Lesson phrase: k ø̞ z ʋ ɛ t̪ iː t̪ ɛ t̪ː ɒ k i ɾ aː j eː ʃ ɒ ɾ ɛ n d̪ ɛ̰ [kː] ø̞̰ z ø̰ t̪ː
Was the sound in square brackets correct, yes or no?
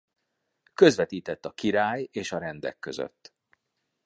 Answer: yes